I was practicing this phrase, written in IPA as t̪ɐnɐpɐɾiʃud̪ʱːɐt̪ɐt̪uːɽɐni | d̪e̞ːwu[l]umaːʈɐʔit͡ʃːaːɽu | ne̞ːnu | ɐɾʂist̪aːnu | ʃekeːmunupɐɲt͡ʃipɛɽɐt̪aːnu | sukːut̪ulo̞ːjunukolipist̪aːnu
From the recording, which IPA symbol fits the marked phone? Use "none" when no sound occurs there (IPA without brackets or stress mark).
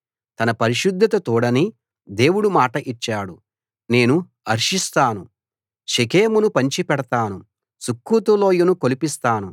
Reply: ɽ